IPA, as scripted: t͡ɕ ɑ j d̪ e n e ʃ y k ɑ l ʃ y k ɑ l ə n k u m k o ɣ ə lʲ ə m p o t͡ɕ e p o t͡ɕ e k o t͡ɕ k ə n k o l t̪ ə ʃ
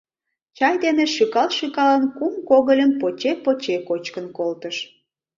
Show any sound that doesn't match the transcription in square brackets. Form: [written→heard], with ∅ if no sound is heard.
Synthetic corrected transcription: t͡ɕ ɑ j d̪ e n e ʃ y k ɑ l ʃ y k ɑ l ə n k u m k o ɣ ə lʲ ə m p o t͡ɕ e p o t͡ɕ e k o t͡ɕ k ə n k o l t̪ ə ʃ